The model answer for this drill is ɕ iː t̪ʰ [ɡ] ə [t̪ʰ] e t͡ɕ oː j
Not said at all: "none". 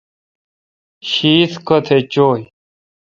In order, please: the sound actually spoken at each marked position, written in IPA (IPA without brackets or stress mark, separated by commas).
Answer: k, t̪ʰ